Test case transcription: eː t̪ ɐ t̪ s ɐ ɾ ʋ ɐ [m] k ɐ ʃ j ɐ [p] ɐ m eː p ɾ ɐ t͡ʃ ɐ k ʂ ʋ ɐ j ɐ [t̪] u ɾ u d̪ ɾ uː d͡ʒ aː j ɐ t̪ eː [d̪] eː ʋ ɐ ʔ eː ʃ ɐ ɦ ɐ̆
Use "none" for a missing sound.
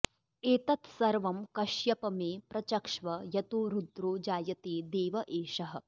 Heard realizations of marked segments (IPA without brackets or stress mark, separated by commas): m, p, t̪, d̪